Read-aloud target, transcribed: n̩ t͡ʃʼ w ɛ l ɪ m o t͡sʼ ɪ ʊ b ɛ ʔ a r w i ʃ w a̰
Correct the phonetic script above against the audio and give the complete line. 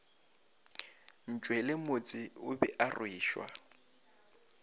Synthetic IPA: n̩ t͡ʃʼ w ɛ l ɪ m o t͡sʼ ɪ ʊ b ɛ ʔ a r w iː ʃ w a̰